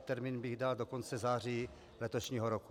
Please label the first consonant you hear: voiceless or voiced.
voiceless